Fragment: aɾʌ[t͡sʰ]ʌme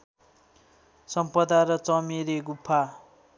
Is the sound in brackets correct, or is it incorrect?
incorrect